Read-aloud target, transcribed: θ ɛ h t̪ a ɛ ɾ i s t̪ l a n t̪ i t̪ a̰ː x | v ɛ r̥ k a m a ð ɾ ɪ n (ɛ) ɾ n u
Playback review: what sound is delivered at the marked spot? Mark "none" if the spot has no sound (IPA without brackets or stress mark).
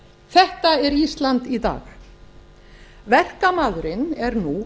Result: ɛ